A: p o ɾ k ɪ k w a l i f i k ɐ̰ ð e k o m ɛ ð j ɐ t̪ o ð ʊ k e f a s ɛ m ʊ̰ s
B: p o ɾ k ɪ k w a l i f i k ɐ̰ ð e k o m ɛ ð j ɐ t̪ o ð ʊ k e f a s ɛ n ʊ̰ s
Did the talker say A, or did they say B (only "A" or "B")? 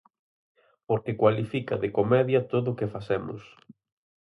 A